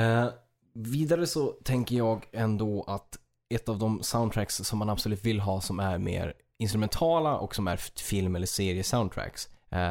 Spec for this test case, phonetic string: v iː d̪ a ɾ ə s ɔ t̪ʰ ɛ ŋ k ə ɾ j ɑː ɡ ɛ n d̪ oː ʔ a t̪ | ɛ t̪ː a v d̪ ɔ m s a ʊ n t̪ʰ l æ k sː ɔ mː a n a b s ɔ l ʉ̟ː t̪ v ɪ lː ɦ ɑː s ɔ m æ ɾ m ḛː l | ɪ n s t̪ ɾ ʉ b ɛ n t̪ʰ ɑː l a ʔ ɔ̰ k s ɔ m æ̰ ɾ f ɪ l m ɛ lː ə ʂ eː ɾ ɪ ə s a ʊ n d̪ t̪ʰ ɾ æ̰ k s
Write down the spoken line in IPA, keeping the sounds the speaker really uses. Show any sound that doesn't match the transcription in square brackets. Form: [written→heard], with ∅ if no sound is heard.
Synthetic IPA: v iː d̪ a ɾ ə s ɔ t̪ʰ ɛ ŋ k ə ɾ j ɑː ɡ ɛ n d̪ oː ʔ a t̪ | ɛ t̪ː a v d̪ ɔ m s a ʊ n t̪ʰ [l→ɾ] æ k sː ɔ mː a n a b s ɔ l ʉ̟ː t̪ v ɪ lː ɦ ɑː s ɔ m æ ɾ m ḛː [l→ɾ] | ɪ n s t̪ ɾ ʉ [b→m] ɛ n t̪ʰ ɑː l a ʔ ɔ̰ k s ɔ m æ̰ ɾ f ɪ l m ɛ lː ə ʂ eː ɾ ɪ ə s a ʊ n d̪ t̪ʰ ɾ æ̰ k s